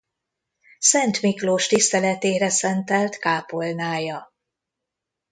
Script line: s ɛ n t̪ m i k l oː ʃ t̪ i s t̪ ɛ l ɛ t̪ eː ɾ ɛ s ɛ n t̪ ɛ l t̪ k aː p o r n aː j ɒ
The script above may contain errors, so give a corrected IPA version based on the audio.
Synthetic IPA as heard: s ɛ n t̪ m i k l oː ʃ t̪ i s t̪ ɛ l ɛ t̪ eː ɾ ɛ s ɛ n t̪ ɛ l t̪ k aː p o l n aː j ɒ